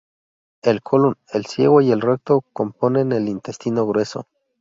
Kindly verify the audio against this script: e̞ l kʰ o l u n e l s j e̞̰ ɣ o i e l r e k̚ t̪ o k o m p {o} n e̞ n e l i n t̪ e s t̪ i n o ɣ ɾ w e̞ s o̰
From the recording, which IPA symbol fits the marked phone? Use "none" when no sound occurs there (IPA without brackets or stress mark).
o